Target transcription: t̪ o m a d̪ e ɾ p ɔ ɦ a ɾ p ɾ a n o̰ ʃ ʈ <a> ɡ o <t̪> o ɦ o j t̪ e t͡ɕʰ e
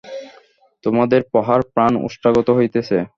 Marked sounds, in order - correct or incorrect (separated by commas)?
correct, correct